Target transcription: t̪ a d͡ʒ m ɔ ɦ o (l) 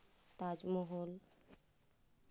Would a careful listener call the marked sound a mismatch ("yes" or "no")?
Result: no